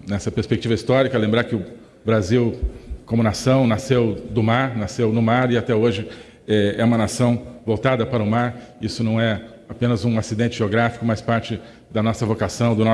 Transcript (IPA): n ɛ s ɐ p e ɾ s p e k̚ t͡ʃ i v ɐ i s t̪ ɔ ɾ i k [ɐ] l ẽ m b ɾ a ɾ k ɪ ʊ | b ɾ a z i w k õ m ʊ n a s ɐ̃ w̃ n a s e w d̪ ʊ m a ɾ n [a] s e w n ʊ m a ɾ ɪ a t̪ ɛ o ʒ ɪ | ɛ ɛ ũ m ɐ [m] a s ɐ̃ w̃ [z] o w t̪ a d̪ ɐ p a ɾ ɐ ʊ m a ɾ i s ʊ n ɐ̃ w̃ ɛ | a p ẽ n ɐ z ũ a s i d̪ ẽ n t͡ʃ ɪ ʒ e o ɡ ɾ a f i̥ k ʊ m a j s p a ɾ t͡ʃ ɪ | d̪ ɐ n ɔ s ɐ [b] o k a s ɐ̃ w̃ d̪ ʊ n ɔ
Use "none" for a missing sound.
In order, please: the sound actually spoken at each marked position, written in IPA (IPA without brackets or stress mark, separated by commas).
ɐ, a, n, v, v